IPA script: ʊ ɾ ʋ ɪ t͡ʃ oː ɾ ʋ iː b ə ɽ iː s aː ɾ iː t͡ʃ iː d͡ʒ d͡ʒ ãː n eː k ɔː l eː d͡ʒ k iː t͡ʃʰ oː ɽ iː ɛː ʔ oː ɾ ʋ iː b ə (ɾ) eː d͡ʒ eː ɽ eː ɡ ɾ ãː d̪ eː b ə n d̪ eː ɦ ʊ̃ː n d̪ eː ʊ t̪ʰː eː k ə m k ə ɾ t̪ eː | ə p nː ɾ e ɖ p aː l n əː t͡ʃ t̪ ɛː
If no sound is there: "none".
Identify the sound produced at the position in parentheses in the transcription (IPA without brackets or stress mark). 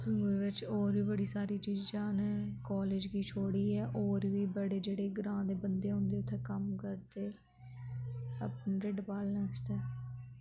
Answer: ɽ